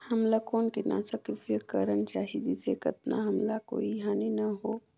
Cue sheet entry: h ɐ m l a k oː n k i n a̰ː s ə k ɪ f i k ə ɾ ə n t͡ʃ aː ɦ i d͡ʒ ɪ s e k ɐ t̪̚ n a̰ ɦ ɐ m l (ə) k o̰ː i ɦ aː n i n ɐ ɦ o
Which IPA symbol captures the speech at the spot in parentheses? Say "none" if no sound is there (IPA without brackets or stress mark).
a